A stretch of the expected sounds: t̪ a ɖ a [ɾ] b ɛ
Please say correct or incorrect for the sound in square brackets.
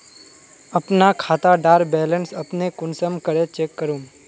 correct